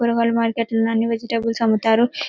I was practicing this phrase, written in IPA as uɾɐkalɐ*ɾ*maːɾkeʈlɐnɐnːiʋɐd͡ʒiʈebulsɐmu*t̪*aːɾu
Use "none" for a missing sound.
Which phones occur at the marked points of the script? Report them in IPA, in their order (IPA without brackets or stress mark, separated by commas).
none, t̪